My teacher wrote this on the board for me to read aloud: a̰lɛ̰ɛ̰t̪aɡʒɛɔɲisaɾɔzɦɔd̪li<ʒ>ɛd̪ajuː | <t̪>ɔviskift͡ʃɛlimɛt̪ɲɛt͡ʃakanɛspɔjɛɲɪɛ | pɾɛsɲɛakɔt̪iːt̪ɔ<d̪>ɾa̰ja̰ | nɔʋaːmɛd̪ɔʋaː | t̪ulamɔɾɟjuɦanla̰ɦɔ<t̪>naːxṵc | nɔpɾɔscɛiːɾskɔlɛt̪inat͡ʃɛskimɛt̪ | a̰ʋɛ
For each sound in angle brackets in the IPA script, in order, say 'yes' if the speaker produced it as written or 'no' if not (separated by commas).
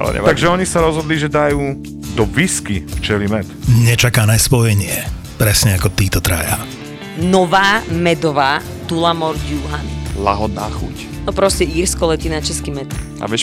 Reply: yes, no, no, no